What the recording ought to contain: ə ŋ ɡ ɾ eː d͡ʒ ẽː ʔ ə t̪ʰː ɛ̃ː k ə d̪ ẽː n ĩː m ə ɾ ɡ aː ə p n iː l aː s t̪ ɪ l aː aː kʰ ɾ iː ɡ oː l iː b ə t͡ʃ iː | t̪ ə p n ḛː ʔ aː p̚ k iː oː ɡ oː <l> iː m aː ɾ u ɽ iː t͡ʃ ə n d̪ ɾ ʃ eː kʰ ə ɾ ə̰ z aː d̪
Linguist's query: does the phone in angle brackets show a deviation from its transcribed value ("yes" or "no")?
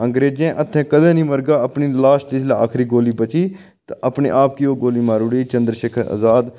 no